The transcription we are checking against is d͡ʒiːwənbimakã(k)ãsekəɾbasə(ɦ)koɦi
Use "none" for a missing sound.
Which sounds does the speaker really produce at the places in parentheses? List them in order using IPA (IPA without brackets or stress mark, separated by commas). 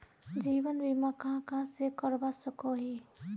k, none